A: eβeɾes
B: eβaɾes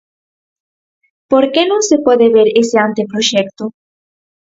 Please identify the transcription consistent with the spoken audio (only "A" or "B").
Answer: A